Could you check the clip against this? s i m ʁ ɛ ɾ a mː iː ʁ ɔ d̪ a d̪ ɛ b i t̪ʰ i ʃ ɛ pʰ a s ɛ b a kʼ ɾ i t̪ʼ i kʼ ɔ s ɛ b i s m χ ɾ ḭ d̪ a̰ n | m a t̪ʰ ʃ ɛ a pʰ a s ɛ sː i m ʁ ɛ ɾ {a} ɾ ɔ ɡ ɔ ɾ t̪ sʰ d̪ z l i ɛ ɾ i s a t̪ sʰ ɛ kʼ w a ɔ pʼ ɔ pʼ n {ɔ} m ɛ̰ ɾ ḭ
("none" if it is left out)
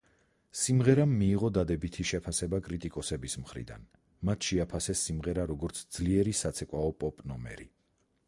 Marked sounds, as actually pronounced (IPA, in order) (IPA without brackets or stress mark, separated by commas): a, ɔ